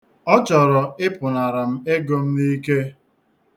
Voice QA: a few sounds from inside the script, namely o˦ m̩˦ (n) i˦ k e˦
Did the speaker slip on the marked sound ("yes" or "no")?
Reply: no